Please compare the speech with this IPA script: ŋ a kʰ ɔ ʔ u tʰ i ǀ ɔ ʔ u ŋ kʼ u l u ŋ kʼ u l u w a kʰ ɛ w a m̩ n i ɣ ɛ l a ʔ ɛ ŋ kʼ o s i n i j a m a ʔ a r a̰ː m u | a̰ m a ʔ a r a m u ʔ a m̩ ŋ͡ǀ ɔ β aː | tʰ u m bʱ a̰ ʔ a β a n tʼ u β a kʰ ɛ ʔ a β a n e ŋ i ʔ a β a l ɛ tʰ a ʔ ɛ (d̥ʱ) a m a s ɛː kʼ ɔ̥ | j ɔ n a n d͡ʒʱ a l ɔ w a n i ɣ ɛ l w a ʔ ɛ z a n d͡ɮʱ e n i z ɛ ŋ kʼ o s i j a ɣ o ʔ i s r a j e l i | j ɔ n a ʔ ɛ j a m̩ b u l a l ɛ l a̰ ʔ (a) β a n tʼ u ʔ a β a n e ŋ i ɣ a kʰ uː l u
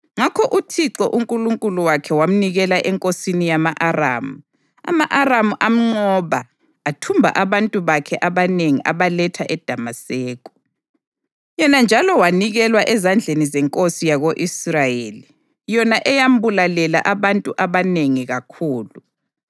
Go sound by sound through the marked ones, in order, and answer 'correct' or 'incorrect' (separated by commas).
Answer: correct, correct